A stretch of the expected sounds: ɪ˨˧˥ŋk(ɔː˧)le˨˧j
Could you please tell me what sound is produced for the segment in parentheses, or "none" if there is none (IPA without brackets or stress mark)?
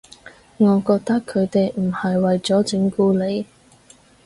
uː˧